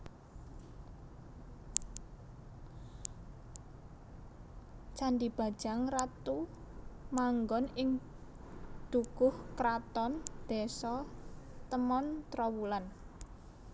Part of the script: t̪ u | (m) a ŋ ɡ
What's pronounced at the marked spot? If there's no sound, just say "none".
m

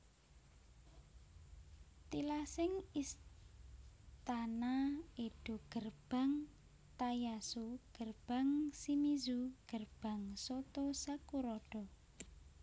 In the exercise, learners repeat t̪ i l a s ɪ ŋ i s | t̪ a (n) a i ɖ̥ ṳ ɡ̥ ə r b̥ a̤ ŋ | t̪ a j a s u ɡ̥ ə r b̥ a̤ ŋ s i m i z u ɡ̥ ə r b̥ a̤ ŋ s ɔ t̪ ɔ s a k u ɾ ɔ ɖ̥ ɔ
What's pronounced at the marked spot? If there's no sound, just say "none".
n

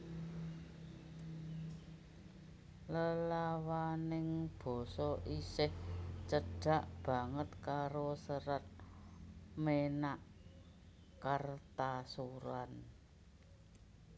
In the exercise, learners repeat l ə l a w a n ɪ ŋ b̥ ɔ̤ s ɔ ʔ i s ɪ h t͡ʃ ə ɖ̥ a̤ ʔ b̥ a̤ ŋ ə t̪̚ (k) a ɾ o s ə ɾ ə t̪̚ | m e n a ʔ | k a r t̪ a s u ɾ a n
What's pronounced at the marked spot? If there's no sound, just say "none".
k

